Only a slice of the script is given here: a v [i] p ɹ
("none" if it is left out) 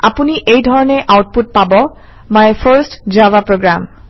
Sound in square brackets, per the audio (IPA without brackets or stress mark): a